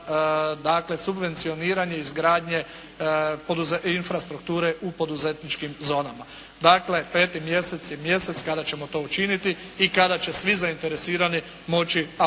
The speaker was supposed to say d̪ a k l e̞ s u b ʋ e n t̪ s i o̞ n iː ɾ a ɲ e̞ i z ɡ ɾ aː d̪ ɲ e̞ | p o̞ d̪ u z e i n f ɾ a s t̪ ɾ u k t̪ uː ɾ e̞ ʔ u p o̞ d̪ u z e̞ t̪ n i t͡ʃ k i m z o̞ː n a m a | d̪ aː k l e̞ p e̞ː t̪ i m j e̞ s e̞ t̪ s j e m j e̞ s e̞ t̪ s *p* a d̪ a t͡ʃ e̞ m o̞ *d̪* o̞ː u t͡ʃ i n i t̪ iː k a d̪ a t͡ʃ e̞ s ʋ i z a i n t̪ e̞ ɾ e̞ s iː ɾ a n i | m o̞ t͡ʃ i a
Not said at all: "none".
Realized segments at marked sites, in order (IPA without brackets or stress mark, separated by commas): k, t̪